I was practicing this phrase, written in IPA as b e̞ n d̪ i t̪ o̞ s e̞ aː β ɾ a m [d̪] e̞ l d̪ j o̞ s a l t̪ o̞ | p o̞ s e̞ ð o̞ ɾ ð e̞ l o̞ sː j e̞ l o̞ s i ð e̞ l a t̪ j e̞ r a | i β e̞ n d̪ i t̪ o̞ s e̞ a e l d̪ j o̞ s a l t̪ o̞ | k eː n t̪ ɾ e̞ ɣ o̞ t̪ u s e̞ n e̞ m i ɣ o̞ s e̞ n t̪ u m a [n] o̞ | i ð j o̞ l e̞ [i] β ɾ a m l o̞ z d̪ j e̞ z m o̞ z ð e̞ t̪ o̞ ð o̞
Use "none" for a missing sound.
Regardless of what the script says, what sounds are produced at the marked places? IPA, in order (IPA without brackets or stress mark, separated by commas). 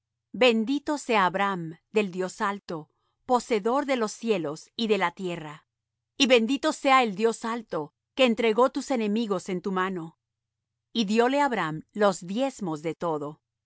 d̪, n, a